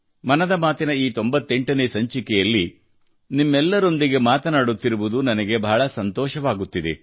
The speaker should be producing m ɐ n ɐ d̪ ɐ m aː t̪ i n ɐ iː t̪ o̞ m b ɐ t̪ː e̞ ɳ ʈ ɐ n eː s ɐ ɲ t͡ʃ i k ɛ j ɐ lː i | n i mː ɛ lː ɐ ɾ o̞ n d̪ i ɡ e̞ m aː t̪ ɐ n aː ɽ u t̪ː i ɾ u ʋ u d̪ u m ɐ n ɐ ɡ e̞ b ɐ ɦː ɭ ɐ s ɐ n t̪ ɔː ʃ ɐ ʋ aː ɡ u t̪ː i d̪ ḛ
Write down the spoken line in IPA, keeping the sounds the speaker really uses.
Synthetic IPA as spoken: m ɐ n ɐ d̪ ɐ m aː t̪ i n ɐ iː t̪ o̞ m b ɐ t̪ː e̞ ɳ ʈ ɐ n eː s ɐ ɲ t͡ʃ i k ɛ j ɐ lː i | n i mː ɛ lː ɐ ɾ o̞ n d̪ i ɡ e̞ m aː t̪ ɐ n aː ɽ u t̪ː i ɾ u ʋ u d̪ u n ɐ n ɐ ɡ e̞ b ɐ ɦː ɭ ɐ s ɐ n t̪ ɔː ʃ ɐ ʋ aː ɡ u t̪ː i d̪ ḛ